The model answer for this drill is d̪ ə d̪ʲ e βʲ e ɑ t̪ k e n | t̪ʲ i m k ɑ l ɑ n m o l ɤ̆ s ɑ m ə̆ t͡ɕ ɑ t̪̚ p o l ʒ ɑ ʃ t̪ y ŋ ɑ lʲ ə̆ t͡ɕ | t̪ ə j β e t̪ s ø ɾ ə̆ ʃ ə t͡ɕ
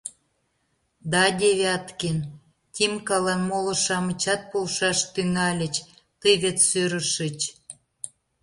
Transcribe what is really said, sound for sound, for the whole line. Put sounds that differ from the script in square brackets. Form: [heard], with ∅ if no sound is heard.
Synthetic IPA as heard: d̪ [ɑ] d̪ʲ e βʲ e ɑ t̪ k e n | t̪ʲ i m k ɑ l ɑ n m o l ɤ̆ [ʃ] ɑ m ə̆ t͡ɕ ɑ t̪̚ p o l [ʃ] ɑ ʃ t̪ y ŋ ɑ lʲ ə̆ t͡ɕ | t̪ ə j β e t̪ s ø ɾ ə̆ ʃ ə t͡ɕ